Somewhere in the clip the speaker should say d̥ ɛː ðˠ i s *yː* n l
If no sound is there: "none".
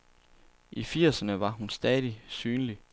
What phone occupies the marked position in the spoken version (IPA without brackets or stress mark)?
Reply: yː